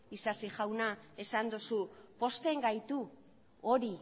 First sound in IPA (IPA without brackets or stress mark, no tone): i